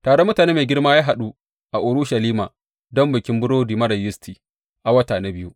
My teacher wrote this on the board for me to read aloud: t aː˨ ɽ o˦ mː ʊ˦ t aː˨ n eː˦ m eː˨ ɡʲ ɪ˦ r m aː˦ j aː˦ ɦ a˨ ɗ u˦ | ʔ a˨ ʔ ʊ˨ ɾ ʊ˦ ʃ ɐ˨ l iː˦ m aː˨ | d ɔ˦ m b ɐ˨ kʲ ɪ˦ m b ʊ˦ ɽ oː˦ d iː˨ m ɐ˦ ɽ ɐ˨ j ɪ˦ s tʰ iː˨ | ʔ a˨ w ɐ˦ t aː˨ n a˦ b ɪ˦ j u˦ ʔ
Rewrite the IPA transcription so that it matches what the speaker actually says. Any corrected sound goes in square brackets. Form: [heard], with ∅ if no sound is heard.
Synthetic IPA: t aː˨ ɽ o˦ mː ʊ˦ t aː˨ n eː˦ m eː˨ ɡʲ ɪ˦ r m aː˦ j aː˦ ɦ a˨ ɗ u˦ | ʔ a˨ ʔ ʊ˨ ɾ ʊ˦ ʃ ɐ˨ l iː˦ m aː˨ | d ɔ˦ m b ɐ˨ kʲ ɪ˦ m b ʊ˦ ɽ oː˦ d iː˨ m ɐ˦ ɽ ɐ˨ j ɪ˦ s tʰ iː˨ | ʔ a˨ w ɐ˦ t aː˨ n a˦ b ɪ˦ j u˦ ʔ